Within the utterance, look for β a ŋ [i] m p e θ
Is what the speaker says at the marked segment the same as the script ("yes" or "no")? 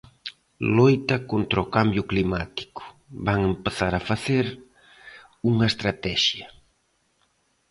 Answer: no